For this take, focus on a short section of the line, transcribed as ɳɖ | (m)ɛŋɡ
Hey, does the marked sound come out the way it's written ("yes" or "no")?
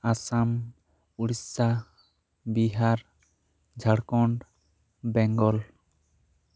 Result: no